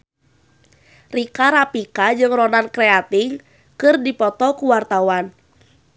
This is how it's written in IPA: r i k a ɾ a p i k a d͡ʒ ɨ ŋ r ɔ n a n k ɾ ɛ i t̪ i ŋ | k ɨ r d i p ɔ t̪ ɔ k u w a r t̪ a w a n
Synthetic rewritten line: r i k a ɾ a p i k a d͡ʒ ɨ ŋ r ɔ n a n k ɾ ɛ a t̪ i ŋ | k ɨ r d i p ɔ t̪ ɔ k u w a r t̪ a w a n